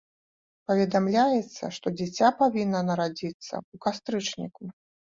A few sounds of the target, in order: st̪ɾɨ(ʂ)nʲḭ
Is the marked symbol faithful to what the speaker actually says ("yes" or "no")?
no